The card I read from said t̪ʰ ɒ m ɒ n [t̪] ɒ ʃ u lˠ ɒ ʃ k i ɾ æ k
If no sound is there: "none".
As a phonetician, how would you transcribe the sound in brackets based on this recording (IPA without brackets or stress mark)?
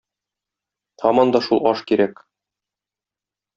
d̪